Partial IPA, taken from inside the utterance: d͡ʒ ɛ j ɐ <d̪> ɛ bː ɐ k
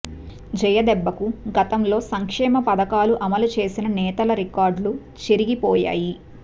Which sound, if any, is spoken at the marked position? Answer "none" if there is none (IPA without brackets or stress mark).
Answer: d̪